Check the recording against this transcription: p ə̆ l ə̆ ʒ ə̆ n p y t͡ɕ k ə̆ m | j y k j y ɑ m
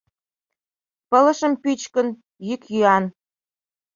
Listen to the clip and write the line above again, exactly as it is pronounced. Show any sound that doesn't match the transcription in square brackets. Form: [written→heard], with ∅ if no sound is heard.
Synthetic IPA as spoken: p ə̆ l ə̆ [ʒ→ʃ] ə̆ [n→m] p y t͡ɕ k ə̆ [m→n] | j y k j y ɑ [m→n]